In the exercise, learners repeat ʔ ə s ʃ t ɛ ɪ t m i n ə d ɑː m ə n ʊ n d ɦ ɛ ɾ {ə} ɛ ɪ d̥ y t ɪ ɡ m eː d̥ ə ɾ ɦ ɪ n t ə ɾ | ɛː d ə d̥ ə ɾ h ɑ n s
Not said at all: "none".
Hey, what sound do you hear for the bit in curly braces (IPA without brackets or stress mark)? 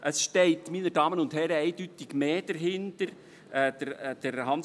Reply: ə